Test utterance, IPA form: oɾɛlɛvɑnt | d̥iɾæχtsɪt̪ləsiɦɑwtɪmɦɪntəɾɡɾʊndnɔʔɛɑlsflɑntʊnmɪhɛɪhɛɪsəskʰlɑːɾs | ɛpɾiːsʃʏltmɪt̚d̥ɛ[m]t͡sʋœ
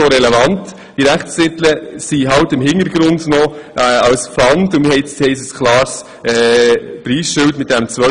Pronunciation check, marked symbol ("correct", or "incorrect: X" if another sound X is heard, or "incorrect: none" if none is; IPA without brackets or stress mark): correct